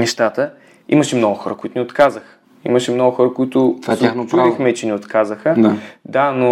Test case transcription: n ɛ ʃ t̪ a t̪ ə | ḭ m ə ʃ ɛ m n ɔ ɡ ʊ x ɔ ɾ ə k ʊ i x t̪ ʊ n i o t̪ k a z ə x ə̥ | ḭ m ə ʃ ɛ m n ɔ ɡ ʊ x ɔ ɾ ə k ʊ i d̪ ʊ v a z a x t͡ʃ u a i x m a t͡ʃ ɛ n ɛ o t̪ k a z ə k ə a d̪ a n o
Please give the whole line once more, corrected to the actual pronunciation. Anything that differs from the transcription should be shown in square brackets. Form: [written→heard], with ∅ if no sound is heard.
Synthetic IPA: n ɛ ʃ t̪ a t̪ ə | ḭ m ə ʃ ɛ m n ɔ ɡ ʊ x ɔ ɾ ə k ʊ i [x→∅] t̪ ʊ n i o t̪ k a z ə x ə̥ | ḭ m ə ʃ ɛ m n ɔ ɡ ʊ x ɔ ɾ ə k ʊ i [d̪→t̪] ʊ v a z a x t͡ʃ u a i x m [a→ɛ] t͡ʃ ɛ n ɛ o t̪ k a z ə [k→x] ə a d̪ a n o